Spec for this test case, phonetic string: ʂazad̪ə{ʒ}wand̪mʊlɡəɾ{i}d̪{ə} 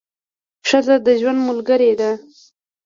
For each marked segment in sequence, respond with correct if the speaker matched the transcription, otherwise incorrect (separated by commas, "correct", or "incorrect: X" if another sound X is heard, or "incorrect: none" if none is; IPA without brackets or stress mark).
correct, incorrect: e, incorrect: a